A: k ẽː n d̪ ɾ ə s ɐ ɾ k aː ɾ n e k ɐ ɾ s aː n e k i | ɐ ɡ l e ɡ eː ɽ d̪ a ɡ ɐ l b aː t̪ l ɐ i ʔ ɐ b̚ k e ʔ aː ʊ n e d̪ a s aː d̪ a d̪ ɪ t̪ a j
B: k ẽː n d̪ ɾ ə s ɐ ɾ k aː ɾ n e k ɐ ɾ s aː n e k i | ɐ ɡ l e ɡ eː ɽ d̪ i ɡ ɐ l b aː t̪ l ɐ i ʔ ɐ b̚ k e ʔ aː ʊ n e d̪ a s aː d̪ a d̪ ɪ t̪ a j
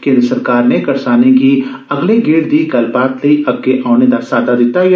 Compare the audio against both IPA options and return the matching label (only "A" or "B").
B